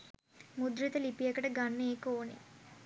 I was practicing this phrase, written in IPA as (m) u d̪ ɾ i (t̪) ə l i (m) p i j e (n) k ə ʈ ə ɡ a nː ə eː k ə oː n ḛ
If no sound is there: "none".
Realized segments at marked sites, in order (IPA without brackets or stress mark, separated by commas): m, t̪, none, none